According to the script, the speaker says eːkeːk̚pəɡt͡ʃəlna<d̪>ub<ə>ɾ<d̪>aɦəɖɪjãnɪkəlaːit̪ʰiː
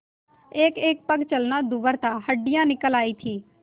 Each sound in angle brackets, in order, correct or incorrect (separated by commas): correct, correct, incorrect